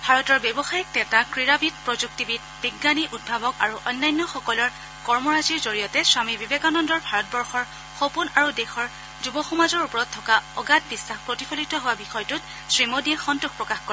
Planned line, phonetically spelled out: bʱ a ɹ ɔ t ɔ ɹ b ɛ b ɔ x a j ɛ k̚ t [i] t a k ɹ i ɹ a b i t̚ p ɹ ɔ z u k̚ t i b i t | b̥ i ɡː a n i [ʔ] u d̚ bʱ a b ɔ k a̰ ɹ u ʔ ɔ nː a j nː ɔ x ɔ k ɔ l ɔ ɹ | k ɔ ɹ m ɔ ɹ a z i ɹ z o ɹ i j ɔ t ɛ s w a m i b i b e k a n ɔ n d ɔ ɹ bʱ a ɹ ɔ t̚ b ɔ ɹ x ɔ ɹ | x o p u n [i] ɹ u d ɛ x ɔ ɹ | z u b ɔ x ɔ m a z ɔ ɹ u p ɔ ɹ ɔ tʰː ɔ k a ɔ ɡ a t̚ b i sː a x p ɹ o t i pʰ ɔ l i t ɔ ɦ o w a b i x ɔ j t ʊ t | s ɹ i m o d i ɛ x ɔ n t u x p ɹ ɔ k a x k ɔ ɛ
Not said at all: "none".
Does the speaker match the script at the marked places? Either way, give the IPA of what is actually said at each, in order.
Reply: ɛ, ʔ, a

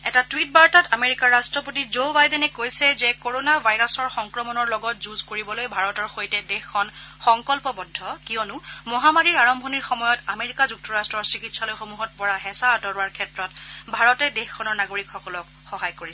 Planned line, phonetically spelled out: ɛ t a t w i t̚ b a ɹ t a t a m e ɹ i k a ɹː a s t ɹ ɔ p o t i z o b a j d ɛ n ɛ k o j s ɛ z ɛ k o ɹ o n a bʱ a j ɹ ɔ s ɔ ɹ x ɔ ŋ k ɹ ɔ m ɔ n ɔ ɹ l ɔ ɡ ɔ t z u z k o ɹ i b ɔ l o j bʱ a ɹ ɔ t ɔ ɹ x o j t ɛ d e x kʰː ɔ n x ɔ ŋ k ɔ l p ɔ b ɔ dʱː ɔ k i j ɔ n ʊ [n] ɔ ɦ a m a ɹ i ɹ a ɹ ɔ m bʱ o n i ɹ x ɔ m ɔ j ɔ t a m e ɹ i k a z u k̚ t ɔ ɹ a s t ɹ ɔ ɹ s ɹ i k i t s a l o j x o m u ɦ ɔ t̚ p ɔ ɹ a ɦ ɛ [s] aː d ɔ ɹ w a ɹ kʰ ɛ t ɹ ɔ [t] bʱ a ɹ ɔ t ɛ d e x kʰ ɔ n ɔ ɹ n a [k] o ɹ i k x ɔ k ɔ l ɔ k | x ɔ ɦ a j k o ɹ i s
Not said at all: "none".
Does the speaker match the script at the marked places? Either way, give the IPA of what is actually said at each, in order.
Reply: m, s, t, ɡ

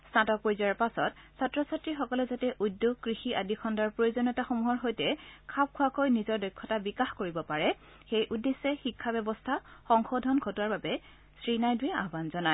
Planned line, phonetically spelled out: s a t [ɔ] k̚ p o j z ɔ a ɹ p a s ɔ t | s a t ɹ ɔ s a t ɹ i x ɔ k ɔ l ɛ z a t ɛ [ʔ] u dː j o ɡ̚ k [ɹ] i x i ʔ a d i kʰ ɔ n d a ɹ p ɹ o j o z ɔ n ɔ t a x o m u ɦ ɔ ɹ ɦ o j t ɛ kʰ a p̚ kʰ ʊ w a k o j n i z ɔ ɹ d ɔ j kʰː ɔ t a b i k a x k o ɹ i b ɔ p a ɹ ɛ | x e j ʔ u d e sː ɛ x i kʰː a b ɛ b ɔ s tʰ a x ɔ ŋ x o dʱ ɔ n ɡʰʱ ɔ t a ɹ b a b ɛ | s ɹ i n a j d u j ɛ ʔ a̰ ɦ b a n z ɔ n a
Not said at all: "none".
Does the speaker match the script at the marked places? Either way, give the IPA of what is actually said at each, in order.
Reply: ɔ, ʔ, ɹ

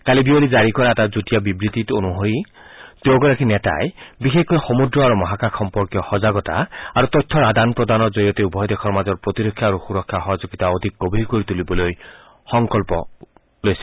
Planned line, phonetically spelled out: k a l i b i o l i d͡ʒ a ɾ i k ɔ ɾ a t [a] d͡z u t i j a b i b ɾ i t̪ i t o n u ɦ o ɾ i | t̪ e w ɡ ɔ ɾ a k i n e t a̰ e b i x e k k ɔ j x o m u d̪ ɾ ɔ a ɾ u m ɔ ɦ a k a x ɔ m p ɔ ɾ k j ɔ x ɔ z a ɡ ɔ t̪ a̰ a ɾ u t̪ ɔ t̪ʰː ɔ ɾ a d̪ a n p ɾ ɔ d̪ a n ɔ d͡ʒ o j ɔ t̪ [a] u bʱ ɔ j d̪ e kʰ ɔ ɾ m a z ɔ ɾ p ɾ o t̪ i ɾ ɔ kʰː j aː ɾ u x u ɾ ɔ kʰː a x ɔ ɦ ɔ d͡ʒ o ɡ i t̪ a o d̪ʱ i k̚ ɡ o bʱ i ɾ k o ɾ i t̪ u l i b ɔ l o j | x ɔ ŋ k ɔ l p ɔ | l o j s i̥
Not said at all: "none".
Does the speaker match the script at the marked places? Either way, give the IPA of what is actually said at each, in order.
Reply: a, e

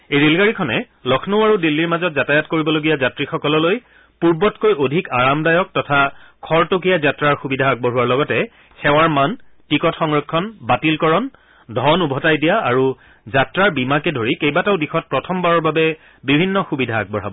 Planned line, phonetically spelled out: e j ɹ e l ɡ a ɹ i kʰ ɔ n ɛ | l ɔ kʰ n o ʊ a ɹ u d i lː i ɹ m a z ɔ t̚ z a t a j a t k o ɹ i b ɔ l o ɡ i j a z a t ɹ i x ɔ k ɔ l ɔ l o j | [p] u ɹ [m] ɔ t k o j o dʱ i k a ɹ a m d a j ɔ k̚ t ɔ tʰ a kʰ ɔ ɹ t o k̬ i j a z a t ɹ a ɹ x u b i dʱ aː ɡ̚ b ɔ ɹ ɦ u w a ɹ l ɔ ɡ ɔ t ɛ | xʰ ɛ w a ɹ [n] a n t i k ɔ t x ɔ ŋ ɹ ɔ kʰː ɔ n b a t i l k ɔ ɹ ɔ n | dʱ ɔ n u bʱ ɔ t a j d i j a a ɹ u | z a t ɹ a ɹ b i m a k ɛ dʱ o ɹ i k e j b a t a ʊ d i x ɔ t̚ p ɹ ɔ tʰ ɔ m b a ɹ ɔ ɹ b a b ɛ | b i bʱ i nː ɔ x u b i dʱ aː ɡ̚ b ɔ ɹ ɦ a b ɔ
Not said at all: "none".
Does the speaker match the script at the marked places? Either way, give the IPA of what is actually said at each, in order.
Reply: p, b, m

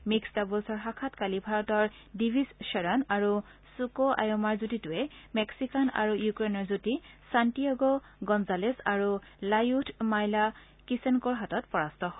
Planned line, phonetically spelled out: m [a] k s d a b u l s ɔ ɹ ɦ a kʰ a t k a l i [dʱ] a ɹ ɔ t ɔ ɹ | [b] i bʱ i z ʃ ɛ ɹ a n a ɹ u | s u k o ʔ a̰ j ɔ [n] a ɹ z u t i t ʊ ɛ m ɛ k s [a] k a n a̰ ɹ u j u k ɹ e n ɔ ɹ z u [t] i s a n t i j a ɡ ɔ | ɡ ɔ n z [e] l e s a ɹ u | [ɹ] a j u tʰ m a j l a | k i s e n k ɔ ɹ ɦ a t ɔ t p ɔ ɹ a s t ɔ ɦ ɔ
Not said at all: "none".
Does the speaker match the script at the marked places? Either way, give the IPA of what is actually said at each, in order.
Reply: i, bʱ, d, m, i, t, a, l

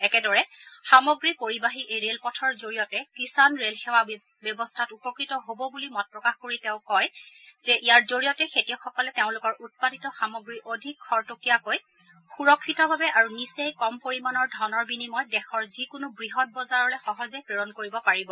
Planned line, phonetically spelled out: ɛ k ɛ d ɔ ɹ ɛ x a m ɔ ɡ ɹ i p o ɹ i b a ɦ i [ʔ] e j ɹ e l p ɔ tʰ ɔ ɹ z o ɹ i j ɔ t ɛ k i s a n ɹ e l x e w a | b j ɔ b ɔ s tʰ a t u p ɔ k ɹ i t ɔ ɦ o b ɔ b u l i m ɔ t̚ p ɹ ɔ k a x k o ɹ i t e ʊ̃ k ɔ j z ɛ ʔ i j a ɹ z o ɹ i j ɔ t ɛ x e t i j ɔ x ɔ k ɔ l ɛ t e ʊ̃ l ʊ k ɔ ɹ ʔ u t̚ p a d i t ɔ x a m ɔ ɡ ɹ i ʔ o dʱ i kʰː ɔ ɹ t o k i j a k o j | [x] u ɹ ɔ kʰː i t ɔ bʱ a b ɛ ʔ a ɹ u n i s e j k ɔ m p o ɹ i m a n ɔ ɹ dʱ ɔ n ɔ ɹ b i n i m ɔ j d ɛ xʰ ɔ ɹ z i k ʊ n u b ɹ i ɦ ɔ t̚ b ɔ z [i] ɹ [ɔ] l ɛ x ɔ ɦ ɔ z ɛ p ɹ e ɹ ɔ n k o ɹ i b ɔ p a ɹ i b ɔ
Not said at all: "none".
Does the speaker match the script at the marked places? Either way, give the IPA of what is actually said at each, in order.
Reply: ʔ, x, a, ɔ

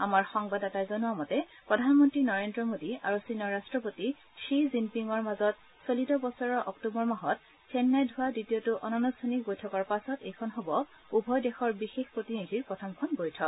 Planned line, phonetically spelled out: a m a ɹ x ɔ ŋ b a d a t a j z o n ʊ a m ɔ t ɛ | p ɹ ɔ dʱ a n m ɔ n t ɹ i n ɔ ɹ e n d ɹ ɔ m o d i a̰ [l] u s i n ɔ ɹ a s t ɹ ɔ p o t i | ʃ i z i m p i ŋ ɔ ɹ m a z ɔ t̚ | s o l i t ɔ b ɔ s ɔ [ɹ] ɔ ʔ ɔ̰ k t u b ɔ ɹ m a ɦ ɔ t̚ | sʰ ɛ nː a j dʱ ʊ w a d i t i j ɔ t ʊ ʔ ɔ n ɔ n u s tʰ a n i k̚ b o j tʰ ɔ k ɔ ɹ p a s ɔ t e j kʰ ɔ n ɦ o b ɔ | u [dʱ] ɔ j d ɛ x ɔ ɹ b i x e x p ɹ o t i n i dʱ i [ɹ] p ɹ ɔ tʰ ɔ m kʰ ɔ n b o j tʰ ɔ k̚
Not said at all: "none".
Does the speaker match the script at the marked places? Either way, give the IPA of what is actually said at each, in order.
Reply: ɹ, ɹ, bʱ, ɹ

